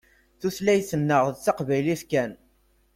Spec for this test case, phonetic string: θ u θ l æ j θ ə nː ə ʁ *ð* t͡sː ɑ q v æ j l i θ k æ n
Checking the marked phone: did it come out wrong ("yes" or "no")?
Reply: no